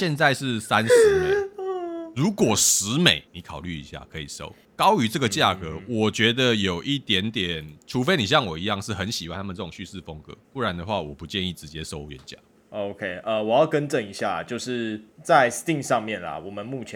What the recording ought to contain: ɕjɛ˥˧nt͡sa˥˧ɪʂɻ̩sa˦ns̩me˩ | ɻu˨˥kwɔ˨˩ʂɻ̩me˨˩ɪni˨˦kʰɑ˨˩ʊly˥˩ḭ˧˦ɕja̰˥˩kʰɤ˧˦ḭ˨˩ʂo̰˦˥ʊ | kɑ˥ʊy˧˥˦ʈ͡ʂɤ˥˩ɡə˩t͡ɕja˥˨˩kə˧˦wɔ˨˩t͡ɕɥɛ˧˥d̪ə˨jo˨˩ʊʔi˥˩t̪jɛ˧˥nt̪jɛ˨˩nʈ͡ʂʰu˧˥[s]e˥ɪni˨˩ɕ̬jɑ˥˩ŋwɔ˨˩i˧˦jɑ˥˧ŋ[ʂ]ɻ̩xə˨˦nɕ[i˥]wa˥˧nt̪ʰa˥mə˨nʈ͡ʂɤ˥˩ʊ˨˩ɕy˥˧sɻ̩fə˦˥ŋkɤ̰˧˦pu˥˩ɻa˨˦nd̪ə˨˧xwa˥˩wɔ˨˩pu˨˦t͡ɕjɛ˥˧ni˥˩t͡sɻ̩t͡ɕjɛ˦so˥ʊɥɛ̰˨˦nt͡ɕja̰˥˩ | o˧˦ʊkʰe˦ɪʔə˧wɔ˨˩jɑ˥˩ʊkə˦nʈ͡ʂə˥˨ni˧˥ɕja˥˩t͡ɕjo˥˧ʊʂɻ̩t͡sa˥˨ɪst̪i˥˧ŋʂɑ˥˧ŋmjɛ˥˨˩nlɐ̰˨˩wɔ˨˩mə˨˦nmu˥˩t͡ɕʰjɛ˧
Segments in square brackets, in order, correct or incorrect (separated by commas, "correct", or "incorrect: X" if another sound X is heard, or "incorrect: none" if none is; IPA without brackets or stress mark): incorrect: f, correct, incorrect: i˨